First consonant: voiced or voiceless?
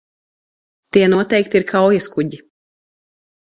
voiceless